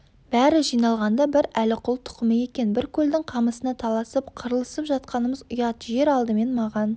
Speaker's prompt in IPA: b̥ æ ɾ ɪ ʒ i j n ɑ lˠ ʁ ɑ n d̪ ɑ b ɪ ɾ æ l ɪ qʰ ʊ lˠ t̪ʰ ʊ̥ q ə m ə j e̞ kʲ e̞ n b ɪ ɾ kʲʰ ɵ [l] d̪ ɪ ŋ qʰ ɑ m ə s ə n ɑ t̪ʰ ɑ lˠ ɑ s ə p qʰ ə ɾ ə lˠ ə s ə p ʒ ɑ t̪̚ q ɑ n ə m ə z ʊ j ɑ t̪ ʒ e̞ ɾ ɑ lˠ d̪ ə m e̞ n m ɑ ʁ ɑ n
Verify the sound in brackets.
correct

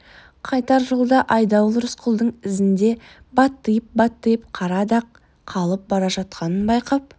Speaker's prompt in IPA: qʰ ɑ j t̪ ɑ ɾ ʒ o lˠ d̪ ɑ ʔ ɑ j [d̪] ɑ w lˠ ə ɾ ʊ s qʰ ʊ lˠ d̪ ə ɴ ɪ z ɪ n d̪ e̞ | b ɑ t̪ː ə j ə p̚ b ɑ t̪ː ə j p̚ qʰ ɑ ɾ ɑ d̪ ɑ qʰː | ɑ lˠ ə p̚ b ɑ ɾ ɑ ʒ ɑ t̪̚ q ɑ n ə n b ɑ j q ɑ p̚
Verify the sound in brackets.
correct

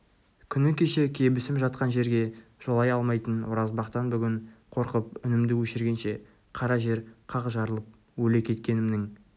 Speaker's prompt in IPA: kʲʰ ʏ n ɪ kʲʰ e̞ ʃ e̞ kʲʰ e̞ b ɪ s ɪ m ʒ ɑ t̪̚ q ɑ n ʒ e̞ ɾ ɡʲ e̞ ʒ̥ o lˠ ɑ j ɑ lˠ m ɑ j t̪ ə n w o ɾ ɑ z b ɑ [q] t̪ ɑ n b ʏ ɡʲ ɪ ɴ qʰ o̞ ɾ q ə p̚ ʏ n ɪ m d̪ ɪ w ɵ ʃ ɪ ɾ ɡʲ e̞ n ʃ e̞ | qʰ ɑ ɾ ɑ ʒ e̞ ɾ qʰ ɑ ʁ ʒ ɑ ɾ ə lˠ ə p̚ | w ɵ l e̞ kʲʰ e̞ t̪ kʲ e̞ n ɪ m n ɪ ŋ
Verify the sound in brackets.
correct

